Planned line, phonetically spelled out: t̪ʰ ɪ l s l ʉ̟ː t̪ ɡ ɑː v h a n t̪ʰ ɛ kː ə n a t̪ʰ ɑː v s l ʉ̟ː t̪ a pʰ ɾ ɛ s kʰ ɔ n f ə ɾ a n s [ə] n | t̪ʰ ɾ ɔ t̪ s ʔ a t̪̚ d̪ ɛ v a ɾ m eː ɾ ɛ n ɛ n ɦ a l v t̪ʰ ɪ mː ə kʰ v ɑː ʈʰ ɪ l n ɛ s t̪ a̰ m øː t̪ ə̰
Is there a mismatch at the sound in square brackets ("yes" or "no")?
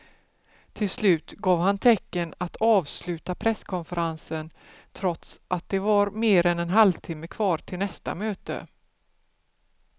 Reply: no